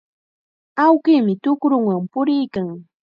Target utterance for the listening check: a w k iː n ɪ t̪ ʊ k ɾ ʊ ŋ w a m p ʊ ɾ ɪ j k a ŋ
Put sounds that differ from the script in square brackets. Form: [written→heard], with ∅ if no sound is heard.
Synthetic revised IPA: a w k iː [n→m] ɪ t̪ ʊ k ɾ ʊ ŋ w a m p ʊ ɾ ɪ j k a ŋ